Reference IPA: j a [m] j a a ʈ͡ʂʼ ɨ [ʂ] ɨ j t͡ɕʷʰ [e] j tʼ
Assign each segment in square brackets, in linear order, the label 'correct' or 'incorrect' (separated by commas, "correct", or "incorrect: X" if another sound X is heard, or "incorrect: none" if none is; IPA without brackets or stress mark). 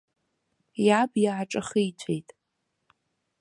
incorrect: b, incorrect: χ, correct